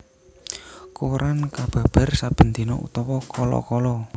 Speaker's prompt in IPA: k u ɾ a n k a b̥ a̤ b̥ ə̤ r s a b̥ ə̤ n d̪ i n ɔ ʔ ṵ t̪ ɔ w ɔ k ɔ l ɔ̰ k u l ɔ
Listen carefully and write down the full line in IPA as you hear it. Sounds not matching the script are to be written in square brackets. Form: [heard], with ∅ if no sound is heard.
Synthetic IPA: k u ɾ a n k a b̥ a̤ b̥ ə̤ r s a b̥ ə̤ n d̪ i n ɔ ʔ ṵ t̪ ɔ w ɔ k ɔ l ɔ̰ k [ɔ] l ɔ